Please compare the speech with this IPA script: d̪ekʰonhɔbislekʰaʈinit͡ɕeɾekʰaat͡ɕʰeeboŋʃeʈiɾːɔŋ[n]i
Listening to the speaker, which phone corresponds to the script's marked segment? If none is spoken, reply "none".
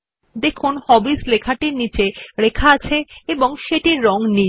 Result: n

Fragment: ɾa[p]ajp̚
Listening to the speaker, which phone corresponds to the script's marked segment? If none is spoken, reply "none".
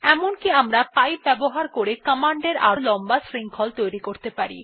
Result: p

